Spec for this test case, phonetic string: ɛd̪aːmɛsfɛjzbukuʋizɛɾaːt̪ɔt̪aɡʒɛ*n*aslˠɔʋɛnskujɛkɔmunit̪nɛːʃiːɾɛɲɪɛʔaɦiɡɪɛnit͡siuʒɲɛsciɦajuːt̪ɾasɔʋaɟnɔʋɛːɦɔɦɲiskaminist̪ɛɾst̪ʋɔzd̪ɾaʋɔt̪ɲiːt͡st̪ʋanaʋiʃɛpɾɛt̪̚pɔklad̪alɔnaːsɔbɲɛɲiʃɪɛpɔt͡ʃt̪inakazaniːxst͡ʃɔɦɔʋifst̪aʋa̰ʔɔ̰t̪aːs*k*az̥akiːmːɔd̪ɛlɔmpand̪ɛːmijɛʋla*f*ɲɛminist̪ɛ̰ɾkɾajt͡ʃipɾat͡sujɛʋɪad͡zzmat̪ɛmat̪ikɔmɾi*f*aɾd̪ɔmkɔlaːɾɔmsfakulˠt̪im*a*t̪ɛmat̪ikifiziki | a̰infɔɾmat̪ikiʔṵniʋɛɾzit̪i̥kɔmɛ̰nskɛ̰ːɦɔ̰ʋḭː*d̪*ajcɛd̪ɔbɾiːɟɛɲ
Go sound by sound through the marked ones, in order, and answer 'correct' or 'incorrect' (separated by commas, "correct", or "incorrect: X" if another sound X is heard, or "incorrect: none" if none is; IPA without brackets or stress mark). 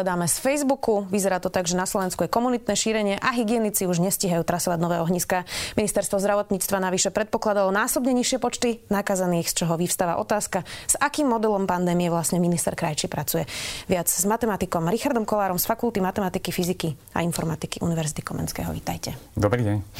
correct, correct, incorrect: s, incorrect: x, correct, incorrect: t̪